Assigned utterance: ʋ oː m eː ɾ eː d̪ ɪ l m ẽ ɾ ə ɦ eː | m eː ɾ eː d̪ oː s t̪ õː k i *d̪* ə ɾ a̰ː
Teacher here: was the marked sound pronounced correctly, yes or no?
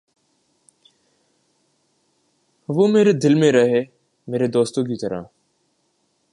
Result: no